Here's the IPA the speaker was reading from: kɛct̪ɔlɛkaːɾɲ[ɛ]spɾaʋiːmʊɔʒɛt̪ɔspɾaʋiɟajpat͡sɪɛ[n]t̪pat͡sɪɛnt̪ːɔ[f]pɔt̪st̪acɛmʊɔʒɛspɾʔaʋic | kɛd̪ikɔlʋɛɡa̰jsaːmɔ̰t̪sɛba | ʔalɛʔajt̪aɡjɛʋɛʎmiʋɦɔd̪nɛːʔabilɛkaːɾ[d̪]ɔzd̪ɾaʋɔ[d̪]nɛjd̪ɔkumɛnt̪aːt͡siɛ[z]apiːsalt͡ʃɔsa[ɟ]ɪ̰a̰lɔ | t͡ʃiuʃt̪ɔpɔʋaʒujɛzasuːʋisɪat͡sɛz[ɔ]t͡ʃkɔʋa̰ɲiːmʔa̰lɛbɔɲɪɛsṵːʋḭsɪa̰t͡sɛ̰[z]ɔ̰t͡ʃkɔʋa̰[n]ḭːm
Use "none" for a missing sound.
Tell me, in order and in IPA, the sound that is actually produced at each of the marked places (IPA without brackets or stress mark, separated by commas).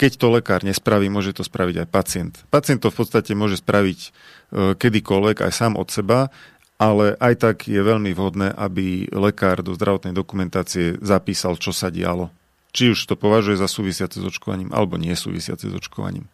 ɛ, n, f, d̪, t̪, z, ɟ, ɔ, z, ɲ